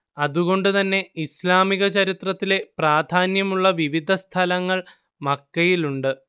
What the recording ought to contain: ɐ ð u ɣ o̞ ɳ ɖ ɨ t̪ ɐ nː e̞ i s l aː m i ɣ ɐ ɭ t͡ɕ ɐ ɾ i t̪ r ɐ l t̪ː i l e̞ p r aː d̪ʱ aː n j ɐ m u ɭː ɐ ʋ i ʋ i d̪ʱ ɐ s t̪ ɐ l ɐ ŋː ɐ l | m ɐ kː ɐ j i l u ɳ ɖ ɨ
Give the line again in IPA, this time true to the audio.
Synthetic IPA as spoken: ɐ ð u ɣ o̞ ɳ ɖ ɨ t̪ ɐ nː e̞ i s l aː m i ɣ ɐ t͡ɕ ɐ ɾ i t̪ r ɐ t̪ː i l e̞ p r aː d̪ʱ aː n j ɐ m u ɭː ɐ ʋ i ʋ i d̪ʱ ɐ s t̪ʰ ɐ l ɐ ŋː ɐ ɭ | m ɐ kː ɐ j i l u ɳ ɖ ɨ